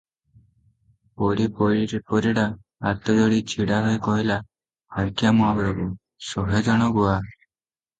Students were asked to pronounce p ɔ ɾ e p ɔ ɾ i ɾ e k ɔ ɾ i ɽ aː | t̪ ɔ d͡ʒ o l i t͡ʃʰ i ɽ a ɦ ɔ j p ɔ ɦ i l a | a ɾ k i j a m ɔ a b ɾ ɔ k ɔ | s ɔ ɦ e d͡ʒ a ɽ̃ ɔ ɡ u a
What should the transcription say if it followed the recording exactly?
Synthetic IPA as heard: p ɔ ɾ i p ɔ ɾ i ɾ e p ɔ ɾ i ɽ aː | t̪ ɔ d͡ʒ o ɽ i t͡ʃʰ i ɽ a ɦ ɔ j k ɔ ɦ i l a | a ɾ k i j a m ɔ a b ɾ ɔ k u | s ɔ ɦ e d͡ʒ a ɽ̃ ɔ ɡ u a